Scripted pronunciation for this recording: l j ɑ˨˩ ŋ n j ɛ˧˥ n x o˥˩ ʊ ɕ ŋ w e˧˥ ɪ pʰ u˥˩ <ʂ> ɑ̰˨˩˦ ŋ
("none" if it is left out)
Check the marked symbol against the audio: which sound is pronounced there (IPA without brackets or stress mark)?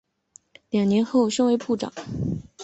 ʈ͡ʂ